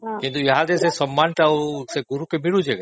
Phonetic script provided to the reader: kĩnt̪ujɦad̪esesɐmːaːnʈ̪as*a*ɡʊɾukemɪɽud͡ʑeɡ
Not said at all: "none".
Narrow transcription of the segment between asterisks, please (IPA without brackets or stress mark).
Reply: e